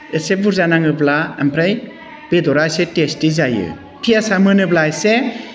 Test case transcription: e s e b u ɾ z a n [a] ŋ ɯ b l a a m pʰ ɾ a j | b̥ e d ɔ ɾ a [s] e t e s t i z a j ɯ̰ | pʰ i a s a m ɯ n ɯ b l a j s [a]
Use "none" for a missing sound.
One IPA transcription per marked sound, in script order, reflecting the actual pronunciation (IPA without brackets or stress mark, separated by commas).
a, s, e